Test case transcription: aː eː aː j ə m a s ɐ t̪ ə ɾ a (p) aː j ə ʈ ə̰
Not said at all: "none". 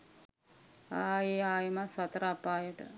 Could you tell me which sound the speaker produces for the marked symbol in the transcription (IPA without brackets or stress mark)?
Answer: p